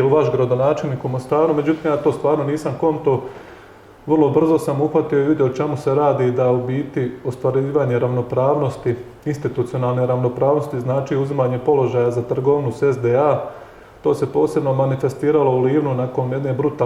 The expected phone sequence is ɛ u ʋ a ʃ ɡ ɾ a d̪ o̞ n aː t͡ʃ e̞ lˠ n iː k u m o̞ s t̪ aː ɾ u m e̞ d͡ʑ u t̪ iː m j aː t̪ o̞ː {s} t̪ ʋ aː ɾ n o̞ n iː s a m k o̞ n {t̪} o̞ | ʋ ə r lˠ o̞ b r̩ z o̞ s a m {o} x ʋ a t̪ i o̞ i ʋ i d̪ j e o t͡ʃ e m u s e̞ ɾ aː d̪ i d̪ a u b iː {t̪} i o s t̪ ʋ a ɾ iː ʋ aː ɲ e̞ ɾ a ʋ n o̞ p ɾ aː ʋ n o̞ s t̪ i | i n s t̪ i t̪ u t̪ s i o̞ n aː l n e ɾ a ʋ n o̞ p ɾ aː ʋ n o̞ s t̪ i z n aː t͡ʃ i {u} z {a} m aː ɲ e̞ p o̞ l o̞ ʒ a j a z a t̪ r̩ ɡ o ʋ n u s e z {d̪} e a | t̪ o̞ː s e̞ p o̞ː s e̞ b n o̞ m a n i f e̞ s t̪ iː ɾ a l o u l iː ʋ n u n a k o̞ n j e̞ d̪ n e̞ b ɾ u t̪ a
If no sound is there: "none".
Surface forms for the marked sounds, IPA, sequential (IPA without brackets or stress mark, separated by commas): s, t̪, u, t̪, u, i, d̪